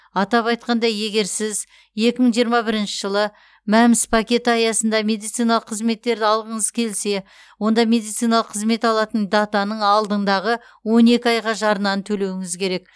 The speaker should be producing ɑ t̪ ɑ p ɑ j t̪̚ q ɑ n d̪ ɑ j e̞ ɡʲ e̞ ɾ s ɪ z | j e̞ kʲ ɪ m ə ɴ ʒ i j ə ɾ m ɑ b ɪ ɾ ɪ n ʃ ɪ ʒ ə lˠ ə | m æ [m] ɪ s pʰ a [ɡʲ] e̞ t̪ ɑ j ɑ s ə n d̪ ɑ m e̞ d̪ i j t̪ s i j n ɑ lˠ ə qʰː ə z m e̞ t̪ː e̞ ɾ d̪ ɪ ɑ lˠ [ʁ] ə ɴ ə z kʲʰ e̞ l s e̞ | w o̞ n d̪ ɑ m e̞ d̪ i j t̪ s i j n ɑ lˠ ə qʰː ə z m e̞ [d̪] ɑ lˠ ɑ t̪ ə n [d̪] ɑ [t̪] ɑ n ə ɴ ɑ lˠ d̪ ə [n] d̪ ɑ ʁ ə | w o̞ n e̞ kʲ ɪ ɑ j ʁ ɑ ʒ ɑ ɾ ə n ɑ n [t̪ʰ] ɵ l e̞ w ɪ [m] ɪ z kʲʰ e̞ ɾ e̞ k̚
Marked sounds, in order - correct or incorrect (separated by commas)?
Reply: correct, incorrect, correct, incorrect, correct, correct, incorrect, correct, incorrect